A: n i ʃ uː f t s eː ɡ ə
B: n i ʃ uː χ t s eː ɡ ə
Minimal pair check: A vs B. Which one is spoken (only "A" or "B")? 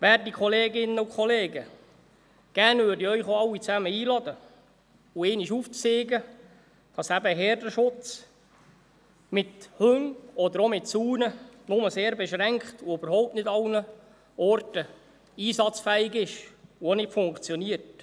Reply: A